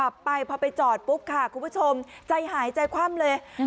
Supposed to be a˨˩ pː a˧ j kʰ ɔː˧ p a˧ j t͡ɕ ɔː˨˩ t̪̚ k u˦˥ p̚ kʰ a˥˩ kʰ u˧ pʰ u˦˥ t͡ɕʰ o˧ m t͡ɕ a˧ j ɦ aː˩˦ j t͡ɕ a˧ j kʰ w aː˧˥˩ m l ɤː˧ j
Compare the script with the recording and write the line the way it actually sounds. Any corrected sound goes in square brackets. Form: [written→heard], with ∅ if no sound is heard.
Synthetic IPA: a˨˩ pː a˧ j [kʰ→pʰ] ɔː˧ p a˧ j t͡ɕ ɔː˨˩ t̪̚ [k→p] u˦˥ p̚ kʰ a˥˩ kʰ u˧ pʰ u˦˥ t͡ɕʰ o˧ m t͡ɕ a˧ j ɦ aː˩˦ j t͡ɕ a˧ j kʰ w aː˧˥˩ m l ɤː˧ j